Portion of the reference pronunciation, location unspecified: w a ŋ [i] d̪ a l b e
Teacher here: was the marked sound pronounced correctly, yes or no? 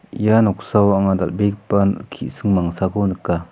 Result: no